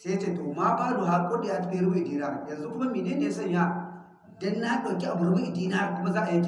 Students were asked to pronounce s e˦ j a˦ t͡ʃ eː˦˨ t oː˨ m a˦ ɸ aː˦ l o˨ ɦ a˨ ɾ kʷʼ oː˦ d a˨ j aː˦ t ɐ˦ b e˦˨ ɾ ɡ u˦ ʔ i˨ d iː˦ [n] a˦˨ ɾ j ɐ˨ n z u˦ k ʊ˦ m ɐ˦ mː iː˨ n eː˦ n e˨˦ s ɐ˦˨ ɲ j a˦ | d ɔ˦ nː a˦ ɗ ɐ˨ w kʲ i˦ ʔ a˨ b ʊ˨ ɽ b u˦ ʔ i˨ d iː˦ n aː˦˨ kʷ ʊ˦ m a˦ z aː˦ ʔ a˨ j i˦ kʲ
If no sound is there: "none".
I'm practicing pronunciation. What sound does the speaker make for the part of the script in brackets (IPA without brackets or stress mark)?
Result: n